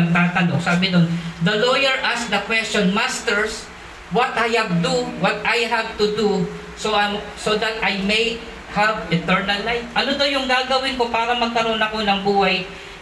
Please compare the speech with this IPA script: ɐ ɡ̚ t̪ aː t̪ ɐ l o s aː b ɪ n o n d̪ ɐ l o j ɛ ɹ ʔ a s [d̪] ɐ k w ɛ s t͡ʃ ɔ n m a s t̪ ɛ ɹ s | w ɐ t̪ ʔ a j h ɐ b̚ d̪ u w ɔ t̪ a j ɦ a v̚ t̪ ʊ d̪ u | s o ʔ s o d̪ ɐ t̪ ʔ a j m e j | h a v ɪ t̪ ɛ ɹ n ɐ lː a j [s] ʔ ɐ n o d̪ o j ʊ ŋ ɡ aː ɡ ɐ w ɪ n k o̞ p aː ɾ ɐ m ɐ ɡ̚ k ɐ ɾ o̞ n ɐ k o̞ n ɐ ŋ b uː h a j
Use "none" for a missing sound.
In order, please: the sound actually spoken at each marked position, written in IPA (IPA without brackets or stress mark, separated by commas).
d̪, f